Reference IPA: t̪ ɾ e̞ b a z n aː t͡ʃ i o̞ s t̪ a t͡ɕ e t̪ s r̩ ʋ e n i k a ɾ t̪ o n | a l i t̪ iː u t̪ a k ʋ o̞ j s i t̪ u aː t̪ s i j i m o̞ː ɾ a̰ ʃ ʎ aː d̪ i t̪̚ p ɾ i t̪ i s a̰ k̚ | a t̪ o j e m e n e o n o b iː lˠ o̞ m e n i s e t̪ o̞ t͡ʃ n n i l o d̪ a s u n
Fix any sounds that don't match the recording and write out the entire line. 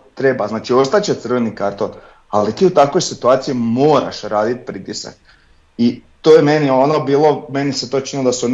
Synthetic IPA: t̪ ɾ e̞ b a z n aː t͡ʃ i o̞ s t̪ a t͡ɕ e t̪ s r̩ ʋ e n i k a ɾ t̪ o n | a l i t̪ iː u t̪ a k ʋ o̞ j s i t̪ u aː t̪ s i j i m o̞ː ɾ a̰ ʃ ɾ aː d̪ i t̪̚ p ɾ i t̪ i s a̰ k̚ | i t̪ o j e m e n i o n o b iː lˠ o̞ m e n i s e t̪ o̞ t͡ʃ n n i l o d̪ a s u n